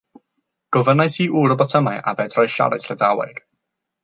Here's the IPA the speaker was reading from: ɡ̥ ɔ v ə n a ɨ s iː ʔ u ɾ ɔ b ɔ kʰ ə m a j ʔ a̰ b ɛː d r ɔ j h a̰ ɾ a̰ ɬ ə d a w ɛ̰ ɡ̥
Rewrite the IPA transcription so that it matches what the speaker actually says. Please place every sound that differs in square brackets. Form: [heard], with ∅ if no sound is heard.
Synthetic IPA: ɡ̥ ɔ v ə n a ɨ s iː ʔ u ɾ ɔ b ɔ [tʰ] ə m a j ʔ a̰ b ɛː d r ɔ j [ʃ] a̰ ɾ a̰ ɬ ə d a w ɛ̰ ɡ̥